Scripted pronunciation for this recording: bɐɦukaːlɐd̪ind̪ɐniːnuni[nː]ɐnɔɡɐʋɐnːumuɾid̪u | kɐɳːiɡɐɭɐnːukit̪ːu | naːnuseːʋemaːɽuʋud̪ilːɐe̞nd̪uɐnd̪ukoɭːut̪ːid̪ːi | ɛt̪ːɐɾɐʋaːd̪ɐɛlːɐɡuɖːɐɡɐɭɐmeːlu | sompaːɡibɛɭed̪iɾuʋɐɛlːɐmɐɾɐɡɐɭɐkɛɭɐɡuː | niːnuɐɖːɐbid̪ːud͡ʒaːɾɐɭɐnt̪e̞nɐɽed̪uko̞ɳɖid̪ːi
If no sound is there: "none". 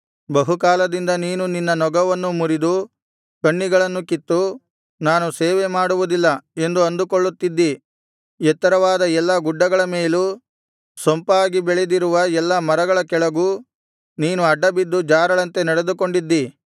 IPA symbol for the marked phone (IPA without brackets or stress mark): nː